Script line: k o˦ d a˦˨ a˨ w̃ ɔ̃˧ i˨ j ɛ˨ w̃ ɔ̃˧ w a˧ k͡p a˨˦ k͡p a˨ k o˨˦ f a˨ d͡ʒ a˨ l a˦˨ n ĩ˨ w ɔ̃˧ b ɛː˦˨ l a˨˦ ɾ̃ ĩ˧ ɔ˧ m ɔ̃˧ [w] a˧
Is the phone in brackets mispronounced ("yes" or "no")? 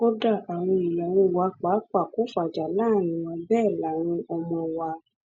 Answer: no